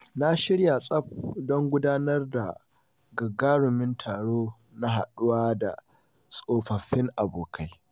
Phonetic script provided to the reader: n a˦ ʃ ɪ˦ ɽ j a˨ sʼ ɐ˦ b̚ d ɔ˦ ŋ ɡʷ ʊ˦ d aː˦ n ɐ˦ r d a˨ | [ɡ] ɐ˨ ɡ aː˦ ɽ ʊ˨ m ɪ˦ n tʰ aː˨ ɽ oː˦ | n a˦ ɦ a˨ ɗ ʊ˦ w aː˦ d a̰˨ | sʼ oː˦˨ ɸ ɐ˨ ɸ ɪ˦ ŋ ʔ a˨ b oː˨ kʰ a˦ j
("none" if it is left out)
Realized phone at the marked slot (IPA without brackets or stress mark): ɡ